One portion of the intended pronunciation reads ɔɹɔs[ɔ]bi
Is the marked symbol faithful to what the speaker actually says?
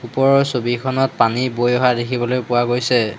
no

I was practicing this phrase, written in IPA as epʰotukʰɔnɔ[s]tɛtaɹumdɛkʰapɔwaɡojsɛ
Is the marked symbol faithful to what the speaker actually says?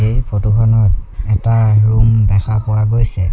no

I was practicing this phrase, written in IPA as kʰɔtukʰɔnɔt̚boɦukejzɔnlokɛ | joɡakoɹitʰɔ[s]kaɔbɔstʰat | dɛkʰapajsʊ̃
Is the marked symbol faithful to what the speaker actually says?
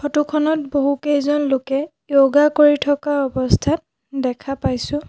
no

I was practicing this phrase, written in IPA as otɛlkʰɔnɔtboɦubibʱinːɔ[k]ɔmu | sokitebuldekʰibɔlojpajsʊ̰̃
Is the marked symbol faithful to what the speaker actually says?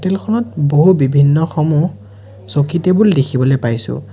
no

